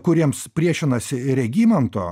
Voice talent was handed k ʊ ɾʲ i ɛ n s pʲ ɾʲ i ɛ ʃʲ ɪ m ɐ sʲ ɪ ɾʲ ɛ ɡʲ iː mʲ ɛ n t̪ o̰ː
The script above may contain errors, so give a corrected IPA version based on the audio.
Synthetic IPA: k ʊ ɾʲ i ɛ m s pʲ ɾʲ i ɛ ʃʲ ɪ n ɐ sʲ ɪ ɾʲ ɛ ɡʲ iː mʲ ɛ n t̪ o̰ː